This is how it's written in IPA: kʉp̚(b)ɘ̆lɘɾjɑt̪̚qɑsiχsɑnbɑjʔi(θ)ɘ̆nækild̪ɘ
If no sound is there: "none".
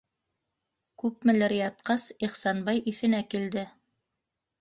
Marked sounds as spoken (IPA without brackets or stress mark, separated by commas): m, θ